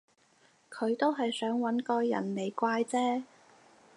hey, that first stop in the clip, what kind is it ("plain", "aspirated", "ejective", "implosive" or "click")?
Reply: aspirated